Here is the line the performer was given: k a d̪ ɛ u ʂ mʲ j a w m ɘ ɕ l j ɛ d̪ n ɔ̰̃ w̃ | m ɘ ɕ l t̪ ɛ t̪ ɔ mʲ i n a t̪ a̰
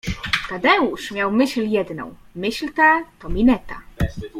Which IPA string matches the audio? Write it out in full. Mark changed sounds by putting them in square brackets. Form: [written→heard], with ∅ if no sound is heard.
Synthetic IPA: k a d̪ ɛ u ʂ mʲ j a w m ɘ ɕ l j ɛ d̪ n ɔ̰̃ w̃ | m ɘ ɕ l t̪ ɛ t̪ ɔ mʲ i n [a→ɛ] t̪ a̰